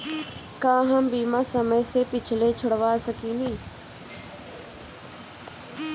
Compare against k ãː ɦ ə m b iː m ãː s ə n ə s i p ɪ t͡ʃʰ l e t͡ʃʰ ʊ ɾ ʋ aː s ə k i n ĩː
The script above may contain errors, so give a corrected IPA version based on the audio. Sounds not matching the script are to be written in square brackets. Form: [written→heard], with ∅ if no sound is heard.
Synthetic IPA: k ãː ɦ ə m b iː m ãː s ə [n→m] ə s [i→e] p ɪ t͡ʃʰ l e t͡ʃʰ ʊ [ɾ→ɽ] ʋ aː s ə k i n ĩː